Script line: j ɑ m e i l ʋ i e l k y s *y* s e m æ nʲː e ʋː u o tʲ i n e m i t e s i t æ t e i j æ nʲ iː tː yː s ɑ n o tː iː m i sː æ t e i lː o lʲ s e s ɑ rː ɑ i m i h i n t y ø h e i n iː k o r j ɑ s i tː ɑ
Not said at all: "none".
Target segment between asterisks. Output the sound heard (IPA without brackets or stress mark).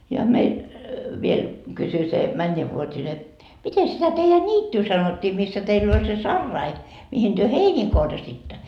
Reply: y